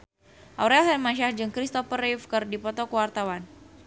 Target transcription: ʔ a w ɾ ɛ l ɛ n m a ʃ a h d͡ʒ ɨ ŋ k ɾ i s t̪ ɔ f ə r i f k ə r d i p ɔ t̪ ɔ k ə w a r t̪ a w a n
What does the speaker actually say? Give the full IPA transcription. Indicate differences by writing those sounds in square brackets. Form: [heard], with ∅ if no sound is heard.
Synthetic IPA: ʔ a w ɾ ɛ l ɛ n m a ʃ a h d͡ʒ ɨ ŋ k ɾ i s t̪ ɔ f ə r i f k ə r d i p ɔ t̪ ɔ k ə w a r t̪ a w a n